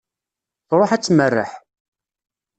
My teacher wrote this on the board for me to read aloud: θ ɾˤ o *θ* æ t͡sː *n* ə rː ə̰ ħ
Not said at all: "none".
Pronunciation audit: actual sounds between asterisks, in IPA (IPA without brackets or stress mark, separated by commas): ħ, m